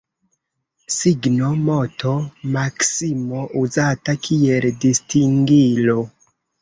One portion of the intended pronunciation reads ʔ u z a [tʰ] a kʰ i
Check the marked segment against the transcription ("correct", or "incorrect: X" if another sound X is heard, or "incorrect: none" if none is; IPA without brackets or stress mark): incorrect: t